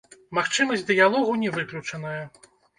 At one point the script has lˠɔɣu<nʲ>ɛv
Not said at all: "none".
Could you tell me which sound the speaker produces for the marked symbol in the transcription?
nʲ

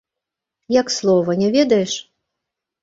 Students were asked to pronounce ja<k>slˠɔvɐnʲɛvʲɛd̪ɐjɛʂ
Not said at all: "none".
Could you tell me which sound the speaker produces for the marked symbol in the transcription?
k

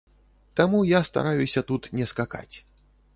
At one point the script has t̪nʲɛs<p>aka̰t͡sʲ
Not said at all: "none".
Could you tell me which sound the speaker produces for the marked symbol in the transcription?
k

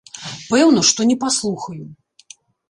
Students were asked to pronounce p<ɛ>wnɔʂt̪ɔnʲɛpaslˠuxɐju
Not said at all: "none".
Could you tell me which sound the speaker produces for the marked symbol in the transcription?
ɛ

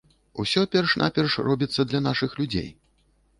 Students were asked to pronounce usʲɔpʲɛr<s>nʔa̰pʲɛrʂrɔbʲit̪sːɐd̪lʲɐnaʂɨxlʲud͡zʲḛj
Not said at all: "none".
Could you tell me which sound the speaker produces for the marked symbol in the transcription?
ʂ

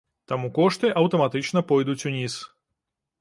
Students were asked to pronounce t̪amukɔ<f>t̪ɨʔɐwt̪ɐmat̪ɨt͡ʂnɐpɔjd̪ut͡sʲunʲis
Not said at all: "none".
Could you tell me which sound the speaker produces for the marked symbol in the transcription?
ʂ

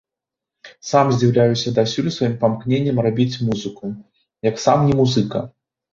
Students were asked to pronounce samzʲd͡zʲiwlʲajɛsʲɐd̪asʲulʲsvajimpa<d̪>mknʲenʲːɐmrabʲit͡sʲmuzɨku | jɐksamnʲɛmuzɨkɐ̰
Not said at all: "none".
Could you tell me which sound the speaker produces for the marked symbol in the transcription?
none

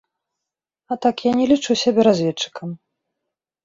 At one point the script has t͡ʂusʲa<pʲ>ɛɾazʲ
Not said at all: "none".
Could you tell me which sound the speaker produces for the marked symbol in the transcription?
bʲ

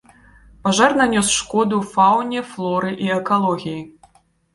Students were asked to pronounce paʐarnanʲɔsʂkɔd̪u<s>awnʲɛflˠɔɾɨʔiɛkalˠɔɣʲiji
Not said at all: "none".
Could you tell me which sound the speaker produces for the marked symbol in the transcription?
f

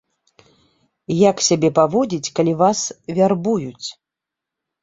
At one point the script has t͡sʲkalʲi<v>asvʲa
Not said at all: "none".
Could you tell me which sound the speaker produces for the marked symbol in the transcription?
v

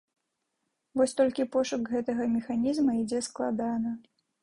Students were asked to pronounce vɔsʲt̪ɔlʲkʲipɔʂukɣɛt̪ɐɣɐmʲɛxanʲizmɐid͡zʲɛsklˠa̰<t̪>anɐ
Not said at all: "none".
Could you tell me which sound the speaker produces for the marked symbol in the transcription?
d̪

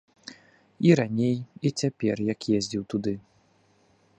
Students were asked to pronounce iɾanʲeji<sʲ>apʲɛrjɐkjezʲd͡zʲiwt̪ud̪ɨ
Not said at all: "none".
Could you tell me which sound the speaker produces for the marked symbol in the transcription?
t͡sʲ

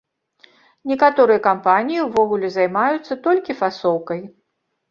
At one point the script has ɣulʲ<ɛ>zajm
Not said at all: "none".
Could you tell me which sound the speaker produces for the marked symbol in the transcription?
ɛ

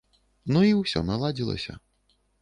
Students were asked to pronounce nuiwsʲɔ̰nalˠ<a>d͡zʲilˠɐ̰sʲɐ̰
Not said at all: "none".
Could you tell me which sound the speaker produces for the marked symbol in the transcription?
a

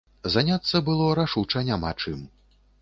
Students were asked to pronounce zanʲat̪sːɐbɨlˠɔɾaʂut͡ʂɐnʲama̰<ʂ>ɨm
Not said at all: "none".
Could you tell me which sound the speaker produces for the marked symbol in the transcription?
t͡ʂ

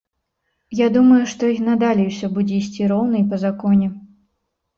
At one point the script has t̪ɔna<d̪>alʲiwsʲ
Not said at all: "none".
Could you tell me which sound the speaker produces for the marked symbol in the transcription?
d̪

